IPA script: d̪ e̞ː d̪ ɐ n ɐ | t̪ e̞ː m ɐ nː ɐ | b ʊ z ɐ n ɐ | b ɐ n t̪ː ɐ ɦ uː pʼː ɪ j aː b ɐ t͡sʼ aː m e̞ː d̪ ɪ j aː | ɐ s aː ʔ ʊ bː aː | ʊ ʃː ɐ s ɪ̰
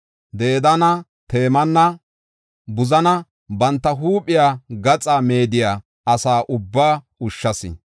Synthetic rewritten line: d̪ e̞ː d̪ ɐ n ɐ | t̪ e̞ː m ɐ nː ɐ | b ʊ z ɐ n ɐ | b ɐ n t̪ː ɐ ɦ uː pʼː ɪ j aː ɡ ɐ t͡sʼ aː m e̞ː d̪ ɪ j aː | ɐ s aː ʔ ʊ bː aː | ʊ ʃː ɐ s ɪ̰